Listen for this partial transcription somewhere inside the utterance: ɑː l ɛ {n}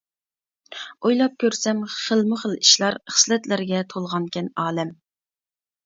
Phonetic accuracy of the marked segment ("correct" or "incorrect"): incorrect